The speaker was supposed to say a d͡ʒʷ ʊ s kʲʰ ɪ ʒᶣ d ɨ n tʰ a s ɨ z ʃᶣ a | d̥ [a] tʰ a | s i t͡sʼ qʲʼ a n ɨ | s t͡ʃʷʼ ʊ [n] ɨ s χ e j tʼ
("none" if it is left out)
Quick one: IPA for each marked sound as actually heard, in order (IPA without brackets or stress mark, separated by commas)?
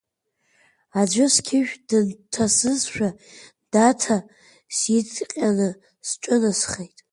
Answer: a, n